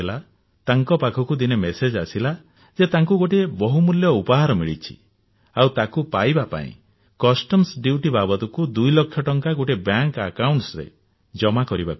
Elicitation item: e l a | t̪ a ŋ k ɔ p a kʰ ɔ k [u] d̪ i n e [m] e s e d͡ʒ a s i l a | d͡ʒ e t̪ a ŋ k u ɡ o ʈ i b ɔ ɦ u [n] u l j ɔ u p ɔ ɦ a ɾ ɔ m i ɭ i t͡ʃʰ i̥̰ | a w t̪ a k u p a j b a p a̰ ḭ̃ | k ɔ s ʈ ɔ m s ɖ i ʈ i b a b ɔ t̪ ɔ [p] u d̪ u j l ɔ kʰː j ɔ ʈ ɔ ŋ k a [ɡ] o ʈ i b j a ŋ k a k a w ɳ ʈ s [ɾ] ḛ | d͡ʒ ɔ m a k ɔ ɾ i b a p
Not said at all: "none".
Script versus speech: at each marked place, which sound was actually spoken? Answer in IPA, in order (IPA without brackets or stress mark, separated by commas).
u, m, m, k, ɡ, ɾ